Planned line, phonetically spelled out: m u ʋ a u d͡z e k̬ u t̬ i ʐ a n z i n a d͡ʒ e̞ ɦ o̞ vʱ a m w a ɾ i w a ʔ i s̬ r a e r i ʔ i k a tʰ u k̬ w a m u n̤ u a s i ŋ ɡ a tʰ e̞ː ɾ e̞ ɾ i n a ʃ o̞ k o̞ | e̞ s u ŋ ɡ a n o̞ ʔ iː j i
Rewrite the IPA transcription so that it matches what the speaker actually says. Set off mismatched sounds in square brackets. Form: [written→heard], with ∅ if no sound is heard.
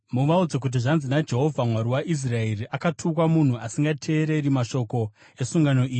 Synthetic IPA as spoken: m u ʋ a u d͡z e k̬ u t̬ i ʐ a n z i n a d͡ʒ e̞ ɦ o̞ vʱ a m w a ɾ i w a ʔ i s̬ r a e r i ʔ [i→a] k a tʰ u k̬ w a m u n̤ u a s i ŋ ɡ a tʰ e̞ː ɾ e̞ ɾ i [n→m] a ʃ o̞ k o̞ | e̞ s u ŋ ɡ a n o̞ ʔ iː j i